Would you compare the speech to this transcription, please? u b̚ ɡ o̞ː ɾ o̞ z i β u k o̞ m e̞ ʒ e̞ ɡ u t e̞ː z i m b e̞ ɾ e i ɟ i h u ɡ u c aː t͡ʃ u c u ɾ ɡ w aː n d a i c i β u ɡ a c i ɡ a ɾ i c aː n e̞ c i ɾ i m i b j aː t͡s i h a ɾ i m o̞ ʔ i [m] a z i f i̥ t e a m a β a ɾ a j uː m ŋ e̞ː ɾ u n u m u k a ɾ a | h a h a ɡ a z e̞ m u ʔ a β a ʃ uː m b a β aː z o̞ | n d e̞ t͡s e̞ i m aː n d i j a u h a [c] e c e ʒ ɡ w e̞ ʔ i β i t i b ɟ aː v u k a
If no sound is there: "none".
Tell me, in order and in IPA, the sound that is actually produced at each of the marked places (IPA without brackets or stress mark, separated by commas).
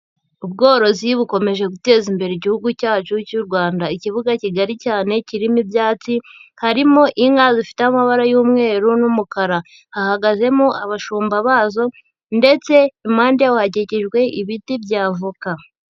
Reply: ŋ, ɟ